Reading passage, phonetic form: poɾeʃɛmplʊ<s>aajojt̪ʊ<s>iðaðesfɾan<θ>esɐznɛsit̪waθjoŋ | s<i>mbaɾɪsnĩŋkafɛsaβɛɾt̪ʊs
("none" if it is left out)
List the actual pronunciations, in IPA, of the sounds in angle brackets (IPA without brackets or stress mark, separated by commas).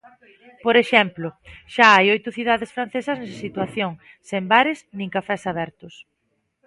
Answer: ʃ, θ, θ, e